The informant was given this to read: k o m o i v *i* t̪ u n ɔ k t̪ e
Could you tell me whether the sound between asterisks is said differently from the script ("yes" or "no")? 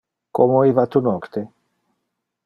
yes